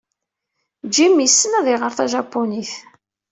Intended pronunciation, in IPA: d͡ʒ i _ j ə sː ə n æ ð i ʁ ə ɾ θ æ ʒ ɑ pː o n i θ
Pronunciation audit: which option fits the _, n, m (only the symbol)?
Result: m